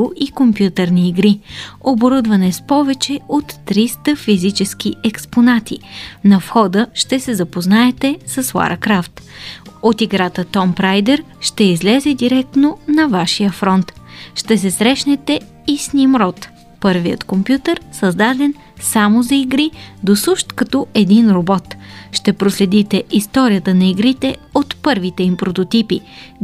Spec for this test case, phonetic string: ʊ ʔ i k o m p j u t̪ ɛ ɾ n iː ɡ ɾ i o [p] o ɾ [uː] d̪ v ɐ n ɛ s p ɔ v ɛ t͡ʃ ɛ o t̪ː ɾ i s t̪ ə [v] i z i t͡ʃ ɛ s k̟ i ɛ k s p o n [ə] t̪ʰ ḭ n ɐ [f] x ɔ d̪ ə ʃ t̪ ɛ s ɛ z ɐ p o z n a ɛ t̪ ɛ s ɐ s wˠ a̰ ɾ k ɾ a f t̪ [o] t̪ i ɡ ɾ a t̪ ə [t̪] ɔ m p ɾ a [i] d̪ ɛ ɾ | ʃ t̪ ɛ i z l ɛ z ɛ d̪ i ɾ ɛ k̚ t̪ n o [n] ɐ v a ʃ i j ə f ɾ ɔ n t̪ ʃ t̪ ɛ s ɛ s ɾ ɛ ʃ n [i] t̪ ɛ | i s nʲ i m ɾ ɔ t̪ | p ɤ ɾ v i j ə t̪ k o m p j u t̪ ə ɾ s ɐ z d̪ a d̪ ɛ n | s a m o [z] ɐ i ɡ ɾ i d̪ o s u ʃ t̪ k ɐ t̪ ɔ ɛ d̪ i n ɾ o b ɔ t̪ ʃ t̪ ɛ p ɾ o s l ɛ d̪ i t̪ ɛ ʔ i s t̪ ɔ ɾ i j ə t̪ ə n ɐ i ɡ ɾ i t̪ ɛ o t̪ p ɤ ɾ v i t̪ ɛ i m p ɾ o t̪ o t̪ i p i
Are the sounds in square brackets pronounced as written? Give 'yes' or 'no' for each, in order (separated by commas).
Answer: no, no, no, no, yes, yes, yes, no, yes, no, yes